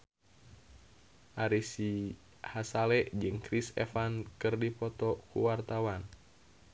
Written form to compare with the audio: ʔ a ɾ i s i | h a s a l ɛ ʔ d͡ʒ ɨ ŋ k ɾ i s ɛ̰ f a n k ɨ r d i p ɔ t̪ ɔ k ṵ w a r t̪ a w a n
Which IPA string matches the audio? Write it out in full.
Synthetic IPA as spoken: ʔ a ɾ i s i | h a s a l ɛ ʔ d͡ʒ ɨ ŋ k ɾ i s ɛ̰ f a n k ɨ r d i p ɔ t̪ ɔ k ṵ w a r t̪ a w a n

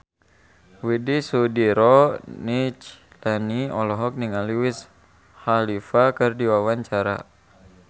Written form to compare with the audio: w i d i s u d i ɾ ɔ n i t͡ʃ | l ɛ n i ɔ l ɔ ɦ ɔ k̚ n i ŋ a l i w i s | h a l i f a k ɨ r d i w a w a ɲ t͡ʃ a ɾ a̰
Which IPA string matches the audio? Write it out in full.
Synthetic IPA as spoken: w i d i s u d i ɾ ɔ n i t͡ʃ | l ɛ n i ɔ l ɔ ɦ ɔ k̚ n i ŋ a l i w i s | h a l i f a k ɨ r d i w a w a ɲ t͡ʃ a ɾ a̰

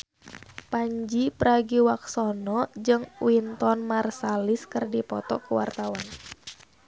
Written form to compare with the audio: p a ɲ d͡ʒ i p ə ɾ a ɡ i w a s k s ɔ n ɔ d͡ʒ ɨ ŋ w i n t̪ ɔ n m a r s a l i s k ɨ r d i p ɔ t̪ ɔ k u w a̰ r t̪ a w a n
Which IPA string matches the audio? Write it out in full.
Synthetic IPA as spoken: p a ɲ d͡ʒ i p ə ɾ a ɡ i w a k s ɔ n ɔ d͡ʒ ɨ ŋ w i n t̪ ɔ n m a r s a l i s k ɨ r d i p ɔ t̪ ɔ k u w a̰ r t̪ a w a n

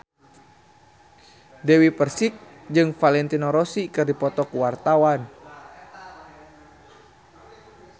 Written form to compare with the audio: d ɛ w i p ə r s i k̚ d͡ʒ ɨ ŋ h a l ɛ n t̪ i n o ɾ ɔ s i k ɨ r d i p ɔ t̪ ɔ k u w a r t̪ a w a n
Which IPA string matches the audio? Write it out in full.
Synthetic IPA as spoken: d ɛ w i p ə r s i k̚ d͡ʒ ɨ ŋ f a l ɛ n t̪ i n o ɾ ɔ s i k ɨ r d i p ɔ t̪ ɔ k u w a r t̪ a w a n

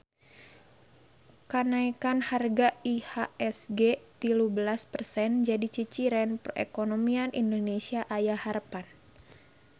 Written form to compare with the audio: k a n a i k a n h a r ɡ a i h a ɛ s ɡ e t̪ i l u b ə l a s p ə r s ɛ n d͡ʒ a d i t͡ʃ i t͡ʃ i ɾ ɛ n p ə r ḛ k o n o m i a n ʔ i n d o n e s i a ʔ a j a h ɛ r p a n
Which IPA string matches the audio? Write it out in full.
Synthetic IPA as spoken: k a n a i k a n h a r ɡ a i h a ɛ s ɡ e t̪ i l u b ə l a s p ə r s ɛ n d͡ʒ a d i t͡ʃ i t͡ʃ i ɾ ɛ n p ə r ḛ k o n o m i a n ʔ i n d o n e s i a ʔ a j a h a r p a n

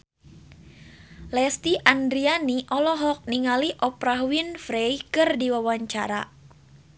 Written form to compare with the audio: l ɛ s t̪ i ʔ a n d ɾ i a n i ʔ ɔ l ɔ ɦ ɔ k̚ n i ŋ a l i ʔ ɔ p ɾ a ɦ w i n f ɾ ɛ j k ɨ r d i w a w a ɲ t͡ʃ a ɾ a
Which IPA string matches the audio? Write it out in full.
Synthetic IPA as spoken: l ɛ s t̪ i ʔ a n d ɾ i a n i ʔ ɔ l ɔ ɦ ɔ k̚ n i ŋ a l i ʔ ɔ p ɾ a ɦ w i n f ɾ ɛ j k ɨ r d i w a w a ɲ t͡ʃ a ɾ a

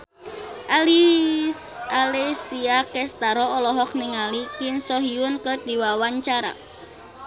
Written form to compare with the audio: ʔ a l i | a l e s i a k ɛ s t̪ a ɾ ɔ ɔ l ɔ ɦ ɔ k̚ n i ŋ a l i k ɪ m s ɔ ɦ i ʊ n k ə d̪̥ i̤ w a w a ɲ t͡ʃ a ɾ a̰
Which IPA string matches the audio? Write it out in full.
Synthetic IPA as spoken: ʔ a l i | a l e s i a k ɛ s t̪ a ɾ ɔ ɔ l ɔ ɦ ɔ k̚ n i ŋ a l i k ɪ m s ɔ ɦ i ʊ n k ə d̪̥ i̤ w a w a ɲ t͡ʃ a ɾ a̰

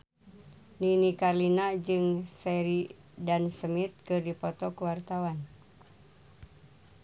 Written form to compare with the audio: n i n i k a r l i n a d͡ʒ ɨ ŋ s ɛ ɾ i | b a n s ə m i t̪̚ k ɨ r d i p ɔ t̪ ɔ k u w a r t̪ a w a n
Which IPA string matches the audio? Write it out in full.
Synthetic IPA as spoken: n i n i k a r l i n a d͡ʒ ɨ ŋ s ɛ ɾ i | d a n s ə m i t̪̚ k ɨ r d i p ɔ t̪ ɔ k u w a r t̪ a w a n

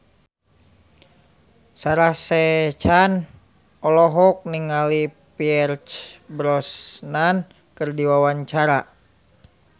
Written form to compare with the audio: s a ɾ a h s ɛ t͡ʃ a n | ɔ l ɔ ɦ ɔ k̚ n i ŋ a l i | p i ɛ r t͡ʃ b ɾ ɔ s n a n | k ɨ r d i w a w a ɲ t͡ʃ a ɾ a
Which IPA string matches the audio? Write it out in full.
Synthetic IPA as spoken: s a ɾ a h s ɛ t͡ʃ a n | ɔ l ɔ ɦ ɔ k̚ n i ŋ a l i | p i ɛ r t͡ʃ b ɾ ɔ s n a n | k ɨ r d i w a w a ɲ t͡ʃ a ɾ a

